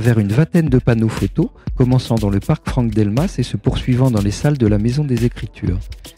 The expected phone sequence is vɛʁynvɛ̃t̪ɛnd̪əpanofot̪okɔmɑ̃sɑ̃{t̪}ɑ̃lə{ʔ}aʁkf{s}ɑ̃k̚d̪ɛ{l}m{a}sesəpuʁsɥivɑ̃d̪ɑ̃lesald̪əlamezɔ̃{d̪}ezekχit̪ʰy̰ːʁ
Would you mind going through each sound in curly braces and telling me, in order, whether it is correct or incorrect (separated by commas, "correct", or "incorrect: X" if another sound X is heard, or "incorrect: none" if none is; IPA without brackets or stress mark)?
incorrect: d̪, incorrect: p, incorrect: χ, correct, correct, correct